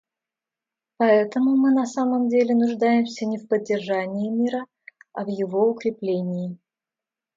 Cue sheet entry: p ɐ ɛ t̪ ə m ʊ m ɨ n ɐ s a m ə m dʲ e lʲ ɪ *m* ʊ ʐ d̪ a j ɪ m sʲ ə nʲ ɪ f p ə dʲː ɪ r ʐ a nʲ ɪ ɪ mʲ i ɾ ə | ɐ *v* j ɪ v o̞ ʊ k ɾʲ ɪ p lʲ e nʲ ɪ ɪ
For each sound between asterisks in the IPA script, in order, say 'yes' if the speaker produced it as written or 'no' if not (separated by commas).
no, yes